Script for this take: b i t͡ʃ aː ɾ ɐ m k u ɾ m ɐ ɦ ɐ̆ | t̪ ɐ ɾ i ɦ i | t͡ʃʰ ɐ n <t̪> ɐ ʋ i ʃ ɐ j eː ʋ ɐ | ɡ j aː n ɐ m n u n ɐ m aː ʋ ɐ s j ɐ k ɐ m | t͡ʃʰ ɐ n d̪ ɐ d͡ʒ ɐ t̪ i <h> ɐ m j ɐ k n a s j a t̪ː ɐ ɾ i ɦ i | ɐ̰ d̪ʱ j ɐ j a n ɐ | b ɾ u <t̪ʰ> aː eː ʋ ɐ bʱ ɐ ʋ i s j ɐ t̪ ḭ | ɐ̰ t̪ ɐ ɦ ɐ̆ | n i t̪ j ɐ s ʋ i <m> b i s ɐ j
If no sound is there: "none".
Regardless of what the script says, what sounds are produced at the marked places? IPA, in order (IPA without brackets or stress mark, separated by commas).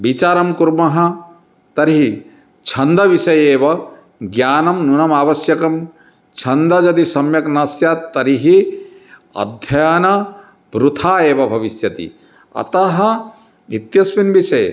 d̪, s, t̪ʰ, n